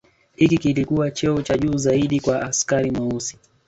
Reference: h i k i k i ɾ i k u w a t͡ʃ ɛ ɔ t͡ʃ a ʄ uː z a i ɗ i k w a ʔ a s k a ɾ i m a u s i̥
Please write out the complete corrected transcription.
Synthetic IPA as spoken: h i k i k i l i k u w a t͡ʃ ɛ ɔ t͡ʃ a ʄ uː z a i ɗ i k w a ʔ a s k a ɾ i m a u s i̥